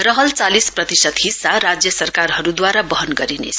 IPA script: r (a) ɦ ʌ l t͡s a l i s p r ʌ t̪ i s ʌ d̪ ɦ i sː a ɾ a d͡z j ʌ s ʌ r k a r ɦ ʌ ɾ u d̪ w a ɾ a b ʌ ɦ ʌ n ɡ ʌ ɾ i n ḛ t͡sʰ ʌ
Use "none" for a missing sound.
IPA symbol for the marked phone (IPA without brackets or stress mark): ʌ